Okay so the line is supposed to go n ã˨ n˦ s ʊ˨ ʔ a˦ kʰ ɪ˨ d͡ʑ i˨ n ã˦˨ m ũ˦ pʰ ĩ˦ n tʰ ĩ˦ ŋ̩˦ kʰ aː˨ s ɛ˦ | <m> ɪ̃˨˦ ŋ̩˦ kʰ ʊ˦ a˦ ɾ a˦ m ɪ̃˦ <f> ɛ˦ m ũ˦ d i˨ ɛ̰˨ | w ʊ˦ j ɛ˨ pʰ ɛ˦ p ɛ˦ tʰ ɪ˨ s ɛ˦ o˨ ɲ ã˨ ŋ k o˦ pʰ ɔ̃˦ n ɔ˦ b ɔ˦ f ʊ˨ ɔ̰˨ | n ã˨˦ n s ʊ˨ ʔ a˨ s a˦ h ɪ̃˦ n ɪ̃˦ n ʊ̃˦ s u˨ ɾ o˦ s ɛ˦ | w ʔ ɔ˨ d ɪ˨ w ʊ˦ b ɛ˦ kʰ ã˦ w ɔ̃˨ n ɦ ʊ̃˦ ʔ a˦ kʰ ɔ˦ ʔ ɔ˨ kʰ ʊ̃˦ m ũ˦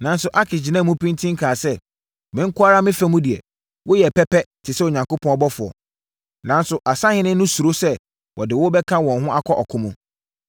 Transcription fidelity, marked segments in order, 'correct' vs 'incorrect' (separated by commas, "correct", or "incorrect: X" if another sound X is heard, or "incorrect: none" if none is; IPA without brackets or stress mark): correct, correct